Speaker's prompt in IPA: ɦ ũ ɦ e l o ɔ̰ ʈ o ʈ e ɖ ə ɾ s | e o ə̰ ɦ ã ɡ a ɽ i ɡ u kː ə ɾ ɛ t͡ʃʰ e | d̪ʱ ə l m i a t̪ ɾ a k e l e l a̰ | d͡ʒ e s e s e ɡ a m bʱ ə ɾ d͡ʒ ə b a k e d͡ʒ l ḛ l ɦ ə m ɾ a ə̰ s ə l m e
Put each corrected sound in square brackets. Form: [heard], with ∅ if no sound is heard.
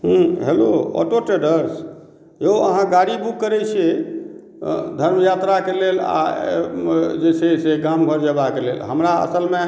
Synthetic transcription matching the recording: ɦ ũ ɦ e l o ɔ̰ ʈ o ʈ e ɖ ə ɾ s | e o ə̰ ɦ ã ɡ a ɽ i [b] u kː ə ɾ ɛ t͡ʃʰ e | d̪ʱ ə [ɾ] m [j] a t̪ ɾ a k e l e l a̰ | d͡ʒ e s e s e ɡ a m [ɡʱ] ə ɾ d͡ʒ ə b a k e [∅] l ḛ l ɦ ə m ɾ a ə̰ s ə l m e